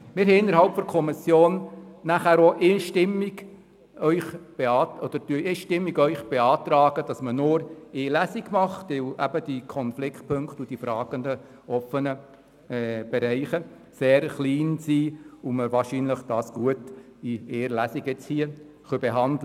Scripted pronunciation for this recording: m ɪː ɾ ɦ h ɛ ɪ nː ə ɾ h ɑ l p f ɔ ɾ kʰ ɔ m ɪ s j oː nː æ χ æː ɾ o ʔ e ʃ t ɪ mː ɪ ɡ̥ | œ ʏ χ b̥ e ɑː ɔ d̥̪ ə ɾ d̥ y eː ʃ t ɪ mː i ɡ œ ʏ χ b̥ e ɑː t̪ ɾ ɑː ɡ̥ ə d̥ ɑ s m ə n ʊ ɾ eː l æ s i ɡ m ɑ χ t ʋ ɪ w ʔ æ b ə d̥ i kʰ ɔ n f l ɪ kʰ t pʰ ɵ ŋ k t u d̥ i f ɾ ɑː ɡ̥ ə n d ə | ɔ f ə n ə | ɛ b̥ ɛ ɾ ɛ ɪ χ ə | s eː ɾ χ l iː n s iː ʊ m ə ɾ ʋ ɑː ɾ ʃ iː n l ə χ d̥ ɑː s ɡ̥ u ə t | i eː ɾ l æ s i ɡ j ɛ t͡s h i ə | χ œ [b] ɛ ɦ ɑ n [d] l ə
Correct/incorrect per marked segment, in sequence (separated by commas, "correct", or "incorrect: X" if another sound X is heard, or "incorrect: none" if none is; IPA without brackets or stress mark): correct, correct